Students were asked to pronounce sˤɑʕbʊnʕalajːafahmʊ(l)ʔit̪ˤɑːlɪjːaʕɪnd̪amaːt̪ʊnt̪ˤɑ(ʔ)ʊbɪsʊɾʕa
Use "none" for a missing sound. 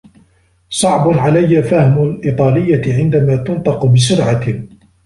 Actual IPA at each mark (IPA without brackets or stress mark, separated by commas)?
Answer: l, q